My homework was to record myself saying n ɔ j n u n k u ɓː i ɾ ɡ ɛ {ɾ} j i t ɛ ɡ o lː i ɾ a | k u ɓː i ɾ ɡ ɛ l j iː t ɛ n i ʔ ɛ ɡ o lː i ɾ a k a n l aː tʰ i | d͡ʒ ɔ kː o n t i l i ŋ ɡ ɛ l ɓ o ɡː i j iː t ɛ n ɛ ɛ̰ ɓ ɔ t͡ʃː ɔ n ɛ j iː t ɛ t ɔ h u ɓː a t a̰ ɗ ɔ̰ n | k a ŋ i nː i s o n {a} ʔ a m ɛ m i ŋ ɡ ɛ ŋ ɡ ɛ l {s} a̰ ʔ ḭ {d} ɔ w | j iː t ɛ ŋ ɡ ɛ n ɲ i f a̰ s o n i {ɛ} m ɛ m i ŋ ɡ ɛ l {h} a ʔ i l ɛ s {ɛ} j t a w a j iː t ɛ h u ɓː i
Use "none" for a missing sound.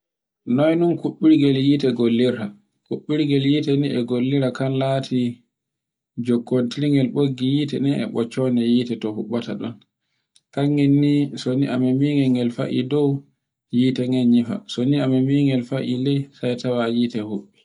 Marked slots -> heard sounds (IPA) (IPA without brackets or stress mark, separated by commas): l, i, f, d, a, f, a